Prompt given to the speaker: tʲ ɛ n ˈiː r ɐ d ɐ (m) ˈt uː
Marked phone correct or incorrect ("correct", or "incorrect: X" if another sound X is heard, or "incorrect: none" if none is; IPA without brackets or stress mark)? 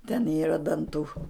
incorrect: n